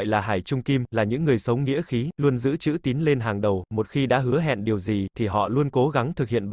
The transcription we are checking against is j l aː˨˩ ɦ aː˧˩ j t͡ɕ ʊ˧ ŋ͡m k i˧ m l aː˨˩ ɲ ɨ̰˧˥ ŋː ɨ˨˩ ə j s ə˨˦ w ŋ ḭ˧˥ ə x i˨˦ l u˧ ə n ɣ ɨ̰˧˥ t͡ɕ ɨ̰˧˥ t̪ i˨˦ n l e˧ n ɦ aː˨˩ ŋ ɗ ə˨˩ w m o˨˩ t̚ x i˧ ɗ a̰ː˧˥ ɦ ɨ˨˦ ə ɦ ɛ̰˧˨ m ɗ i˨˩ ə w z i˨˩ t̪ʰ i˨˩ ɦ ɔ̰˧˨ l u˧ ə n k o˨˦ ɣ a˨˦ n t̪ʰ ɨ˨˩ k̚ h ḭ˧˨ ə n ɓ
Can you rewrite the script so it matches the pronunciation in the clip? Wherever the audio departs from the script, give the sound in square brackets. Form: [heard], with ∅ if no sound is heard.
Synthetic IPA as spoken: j l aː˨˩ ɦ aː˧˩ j t͡ɕ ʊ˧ ŋ͡m k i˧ m l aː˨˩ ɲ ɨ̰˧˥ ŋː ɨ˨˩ ə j s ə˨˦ w ŋ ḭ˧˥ ə x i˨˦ l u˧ ə n [z] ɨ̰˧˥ t͡ɕ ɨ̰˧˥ t̪ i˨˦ n l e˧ n ɦ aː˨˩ ŋ ɗ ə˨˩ w m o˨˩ t̚ x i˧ ɗ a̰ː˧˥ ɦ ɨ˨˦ ə ɦ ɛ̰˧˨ [n] ɗ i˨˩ ə w z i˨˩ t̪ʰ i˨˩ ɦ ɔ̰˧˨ l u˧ ə n k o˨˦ ɣ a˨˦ [ŋ] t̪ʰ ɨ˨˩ k̚ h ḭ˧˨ ə n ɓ